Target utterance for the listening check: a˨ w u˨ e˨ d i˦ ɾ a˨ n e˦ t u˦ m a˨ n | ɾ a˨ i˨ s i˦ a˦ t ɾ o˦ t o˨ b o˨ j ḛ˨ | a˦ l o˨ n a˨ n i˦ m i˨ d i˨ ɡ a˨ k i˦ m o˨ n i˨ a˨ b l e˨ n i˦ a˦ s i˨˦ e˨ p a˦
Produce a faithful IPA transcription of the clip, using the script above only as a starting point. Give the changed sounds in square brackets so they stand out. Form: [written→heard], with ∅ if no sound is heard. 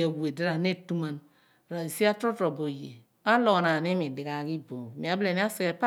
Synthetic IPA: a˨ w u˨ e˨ d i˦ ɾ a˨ n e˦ t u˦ m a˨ n | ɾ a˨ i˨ s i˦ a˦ t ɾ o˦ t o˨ b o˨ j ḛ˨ | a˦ l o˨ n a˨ n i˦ m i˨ d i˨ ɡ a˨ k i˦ [m→b] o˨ [n→m] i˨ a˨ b l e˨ n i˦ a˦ s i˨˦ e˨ p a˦